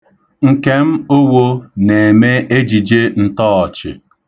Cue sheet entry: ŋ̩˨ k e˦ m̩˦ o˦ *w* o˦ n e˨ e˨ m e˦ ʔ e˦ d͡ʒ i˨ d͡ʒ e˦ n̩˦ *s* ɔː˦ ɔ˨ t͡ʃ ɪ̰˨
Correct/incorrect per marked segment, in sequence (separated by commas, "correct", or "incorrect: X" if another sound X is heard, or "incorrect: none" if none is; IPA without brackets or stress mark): correct, incorrect: t